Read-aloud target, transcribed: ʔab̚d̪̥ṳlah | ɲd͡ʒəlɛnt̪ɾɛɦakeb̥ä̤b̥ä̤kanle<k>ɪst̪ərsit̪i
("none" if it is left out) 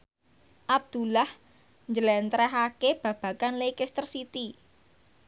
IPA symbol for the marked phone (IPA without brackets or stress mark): k